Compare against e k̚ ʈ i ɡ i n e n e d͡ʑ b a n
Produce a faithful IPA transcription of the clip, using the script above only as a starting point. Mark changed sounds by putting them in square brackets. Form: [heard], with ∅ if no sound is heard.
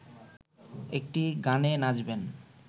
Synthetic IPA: e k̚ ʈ i ɡ [a] n e n [a] d͡ʑ b [e] n